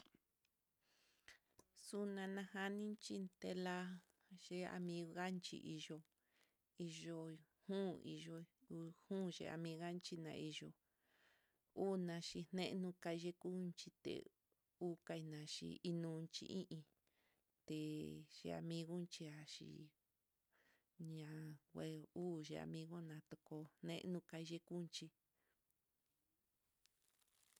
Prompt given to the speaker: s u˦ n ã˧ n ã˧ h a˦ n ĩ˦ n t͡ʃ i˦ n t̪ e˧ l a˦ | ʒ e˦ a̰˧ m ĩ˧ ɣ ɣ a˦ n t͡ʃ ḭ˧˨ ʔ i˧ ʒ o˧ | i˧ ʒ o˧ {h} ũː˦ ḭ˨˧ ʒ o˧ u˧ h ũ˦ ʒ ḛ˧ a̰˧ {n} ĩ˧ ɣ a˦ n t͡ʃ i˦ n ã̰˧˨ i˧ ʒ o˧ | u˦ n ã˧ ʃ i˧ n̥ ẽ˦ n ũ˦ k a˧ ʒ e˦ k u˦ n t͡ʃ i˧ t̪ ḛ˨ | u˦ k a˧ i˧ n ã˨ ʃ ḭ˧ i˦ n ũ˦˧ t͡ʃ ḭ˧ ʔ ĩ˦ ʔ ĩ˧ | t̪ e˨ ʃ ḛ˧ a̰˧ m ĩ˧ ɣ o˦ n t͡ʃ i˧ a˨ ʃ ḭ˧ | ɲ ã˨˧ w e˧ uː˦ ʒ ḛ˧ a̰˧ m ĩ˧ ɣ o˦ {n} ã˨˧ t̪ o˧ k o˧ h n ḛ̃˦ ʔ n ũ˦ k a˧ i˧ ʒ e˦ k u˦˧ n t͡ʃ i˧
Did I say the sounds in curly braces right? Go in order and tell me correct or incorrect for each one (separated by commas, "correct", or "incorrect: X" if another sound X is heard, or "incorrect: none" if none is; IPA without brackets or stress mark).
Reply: correct, incorrect: m, correct